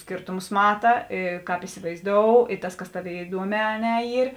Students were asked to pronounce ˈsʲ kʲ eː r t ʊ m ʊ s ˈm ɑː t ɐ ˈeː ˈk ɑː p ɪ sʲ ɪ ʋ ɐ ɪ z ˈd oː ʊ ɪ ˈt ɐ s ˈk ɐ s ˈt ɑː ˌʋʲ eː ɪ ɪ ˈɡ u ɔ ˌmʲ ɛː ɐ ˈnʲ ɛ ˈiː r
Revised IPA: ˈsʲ kʲ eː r t ʊ m ʊ s ˈm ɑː t ɐ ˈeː ˈk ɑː p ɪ sʲ ɪ ʋ ɐ ɪ z ˈd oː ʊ ɪ ˈt ɐ s ˈk ɐ s ˈt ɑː ˌʋʲ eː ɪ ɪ ˈd u ɔ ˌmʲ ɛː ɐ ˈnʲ ɛ ˈiː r